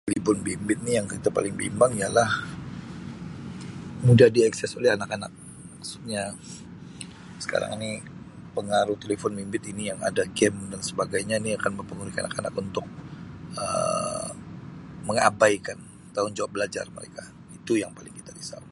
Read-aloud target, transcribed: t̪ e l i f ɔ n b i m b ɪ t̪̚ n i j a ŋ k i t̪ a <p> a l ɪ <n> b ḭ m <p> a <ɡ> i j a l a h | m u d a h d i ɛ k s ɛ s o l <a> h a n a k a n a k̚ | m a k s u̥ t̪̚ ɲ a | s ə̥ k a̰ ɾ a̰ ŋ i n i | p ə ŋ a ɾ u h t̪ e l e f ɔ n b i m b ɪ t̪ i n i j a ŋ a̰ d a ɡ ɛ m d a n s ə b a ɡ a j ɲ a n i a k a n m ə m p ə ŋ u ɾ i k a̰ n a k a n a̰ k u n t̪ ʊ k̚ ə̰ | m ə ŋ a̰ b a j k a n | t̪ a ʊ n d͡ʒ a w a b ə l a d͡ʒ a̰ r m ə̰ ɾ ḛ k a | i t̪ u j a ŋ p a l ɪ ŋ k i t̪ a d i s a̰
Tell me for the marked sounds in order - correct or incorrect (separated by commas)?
correct, incorrect, incorrect, incorrect, incorrect